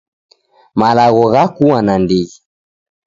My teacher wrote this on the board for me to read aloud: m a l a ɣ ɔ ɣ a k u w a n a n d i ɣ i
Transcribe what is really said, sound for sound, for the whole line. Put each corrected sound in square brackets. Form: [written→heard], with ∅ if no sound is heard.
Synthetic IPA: m a l a ɣ ɔ ɣ a k u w a n a n d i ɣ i